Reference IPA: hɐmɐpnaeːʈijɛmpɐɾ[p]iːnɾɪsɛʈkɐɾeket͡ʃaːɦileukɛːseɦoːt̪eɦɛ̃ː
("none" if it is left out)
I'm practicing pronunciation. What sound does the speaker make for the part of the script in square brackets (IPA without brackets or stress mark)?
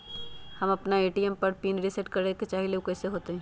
p